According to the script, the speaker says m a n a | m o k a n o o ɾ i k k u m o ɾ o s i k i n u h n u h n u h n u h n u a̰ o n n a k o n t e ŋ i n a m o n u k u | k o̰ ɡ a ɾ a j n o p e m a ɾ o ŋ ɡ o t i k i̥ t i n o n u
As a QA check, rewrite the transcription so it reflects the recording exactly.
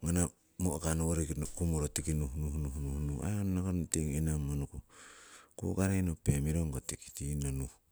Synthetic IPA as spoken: ŋ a n a | m o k a n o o ɾ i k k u m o ɾ o t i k i n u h n u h n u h n u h n u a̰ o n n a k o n t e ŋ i n a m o n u k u | k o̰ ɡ a ɾ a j n o p e m i ɾ o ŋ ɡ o t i k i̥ t i n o n u